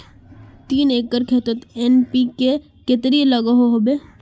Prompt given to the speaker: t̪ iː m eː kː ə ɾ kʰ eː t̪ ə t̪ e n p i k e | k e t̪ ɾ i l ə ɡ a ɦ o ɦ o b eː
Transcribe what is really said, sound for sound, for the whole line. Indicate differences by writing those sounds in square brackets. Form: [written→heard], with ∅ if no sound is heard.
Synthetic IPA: t̪ iː [m→n] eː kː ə ɾ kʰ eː t̪ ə t̪ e n p i k e | k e t̪ ɾ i l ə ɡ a ɦ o ɦ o b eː